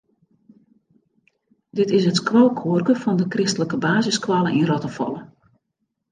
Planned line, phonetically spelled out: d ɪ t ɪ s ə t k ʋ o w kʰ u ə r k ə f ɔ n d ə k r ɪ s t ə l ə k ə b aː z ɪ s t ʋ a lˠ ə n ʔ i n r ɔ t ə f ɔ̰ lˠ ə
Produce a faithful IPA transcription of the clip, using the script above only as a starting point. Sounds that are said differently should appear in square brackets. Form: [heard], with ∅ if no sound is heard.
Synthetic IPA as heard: d ɪ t ɪ s ə t k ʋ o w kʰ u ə r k ə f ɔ n d ə k r ɪ s t ə l ə k ə b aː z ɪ s [k] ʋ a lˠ ə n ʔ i n r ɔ t ə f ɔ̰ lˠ ə

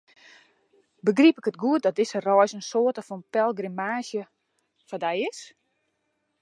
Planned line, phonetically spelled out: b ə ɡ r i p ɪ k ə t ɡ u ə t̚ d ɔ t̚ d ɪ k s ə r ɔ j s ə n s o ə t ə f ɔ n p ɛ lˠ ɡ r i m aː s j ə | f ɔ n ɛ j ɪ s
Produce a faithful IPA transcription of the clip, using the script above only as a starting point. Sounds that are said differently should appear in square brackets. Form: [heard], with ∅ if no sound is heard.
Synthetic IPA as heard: b ə ɡ r i p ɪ k ə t ɡ u ə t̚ d ɔ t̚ d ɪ [∅] s ə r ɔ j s ə n s o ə t ə f ɔ n p ɛ lˠ ɡ r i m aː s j ə | f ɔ [d] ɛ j ɪ s

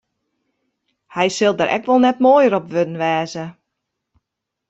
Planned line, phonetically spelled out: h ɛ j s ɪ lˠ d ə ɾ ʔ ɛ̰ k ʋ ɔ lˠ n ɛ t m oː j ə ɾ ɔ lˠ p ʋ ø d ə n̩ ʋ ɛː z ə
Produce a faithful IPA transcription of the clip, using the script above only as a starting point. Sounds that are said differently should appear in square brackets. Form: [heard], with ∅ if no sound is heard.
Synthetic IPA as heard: h ɛ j s ɪ lˠ d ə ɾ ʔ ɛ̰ k ʋ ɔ lˠ n ɛ t m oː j ə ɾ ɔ [∅] p ʋ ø d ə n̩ ʋ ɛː z ə

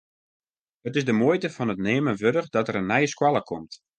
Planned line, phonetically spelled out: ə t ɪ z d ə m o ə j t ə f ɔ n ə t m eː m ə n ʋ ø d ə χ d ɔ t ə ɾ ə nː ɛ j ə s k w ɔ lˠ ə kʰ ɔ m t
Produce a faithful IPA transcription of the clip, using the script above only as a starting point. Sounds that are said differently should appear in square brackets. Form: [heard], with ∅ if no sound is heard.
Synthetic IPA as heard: ə t ɪ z d ə m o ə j t ə f ɔ n ə t [n] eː m ə n ʋ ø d ə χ d ɔ t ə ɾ ə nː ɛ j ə s k w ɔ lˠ ə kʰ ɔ m t

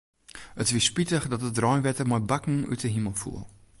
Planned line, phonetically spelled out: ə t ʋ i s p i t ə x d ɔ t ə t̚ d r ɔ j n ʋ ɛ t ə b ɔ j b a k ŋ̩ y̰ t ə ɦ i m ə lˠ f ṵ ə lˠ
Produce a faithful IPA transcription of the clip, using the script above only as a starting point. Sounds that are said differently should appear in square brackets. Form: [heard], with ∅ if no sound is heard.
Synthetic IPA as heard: ə t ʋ i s p i t ə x d ɔ t ə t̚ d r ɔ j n ʋ ɛ t ə [m] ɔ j b a k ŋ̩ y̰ t ə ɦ i m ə lˠ f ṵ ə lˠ

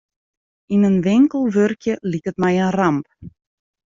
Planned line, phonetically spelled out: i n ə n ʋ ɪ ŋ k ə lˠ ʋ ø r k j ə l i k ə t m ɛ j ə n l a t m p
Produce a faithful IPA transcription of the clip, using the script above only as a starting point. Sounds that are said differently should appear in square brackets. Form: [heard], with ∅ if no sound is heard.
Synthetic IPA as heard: i n ə n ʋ ɪ ŋ k ə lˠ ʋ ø r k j ə l i k ə t m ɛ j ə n [r] a [∅] m p

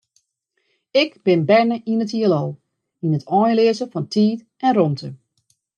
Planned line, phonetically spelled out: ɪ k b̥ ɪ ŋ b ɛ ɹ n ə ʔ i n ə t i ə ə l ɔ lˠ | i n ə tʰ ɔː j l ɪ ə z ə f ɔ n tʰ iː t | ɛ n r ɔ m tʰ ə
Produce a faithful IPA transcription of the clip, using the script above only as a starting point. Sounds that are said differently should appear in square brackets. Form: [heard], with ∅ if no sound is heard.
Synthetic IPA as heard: ɪ k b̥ ɪ [n] b ɛ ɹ n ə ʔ i n ə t i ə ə l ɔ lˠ | i n ə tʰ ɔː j l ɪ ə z ə f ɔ n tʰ iː t | ɛ n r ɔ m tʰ ə

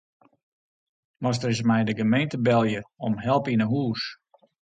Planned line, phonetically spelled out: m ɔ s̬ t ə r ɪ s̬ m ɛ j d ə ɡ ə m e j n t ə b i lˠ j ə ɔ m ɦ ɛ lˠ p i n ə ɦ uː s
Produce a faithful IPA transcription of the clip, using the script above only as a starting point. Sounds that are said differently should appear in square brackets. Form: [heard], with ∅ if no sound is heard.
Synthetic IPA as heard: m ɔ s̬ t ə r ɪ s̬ m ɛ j d ə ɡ ə m e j n t ə b [ɛ] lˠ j ə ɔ m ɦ ɛ lˠ p i n ə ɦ uː s

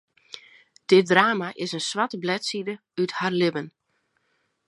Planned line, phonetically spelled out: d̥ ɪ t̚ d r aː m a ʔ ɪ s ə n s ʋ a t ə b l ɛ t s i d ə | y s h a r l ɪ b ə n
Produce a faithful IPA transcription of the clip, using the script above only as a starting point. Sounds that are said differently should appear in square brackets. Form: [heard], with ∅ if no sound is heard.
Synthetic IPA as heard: d̥ ɪ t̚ d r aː m a ʔ ɪ s ə n s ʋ a t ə b l ɛ t s i d ə | y [t] h a r l ɪ b ə n

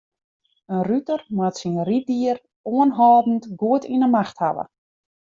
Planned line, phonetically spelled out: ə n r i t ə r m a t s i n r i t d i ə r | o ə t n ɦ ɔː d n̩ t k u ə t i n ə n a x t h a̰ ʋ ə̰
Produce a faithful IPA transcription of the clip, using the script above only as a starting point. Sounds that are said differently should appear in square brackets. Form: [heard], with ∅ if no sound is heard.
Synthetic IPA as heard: ə n r [y] t ə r m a t s i n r i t d i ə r | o ə [∅] n ɦ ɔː d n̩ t [ɡ] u ə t i n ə [m] a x t h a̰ ʋ ə̰

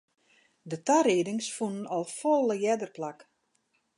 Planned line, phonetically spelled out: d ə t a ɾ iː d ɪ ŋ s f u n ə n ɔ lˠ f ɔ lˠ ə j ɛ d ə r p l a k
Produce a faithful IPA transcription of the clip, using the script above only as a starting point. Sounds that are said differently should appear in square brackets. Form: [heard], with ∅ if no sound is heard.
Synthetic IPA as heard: d ə t a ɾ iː d ɪ ŋ s f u n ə n ɔ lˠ f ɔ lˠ ə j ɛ d ə r p l a k

